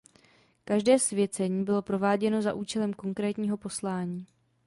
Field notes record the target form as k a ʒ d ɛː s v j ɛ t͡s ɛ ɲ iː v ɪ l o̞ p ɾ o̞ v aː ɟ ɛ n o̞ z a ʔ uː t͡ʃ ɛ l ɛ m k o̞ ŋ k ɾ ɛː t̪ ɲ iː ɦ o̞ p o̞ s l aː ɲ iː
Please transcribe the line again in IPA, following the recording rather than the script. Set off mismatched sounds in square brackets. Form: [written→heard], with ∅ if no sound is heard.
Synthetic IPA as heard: k a ʒ d ɛː s v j ɛ t͡s ɛ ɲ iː [v→b] ɪ l o̞ p ɾ o̞ v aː ɟ ɛ n o̞ z a ʔ uː t͡ʃ ɛ l ɛ m k o̞ ŋ k ɾ ɛː t̪ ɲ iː ɦ o̞ p o̞ s l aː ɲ iː